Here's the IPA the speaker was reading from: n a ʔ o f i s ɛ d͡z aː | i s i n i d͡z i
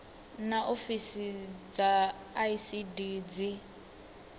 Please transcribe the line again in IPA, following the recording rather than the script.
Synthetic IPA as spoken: n a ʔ o f i s i d͡z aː | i s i d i d͡z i